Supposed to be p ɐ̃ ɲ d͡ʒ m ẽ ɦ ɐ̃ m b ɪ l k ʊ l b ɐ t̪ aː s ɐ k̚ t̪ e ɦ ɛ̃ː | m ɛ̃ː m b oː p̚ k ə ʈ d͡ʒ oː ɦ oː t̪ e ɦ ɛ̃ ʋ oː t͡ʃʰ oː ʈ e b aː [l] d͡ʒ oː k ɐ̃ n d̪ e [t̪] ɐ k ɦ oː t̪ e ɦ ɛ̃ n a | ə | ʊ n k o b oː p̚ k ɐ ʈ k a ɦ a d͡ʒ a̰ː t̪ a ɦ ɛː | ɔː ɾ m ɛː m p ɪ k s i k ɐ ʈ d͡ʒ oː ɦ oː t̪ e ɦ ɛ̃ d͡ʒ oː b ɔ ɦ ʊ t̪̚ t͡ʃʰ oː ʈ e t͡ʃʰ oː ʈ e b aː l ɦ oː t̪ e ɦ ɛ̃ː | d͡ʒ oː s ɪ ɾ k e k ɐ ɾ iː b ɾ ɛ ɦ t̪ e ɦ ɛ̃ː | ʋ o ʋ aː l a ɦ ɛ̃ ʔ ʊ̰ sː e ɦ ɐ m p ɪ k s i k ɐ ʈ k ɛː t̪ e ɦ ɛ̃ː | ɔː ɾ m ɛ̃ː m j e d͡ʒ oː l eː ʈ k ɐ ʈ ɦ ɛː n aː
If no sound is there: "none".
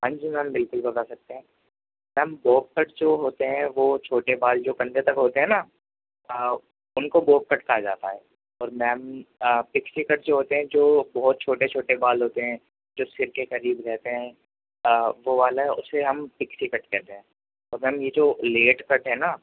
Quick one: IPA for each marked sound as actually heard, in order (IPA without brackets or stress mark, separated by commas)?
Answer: l, t̪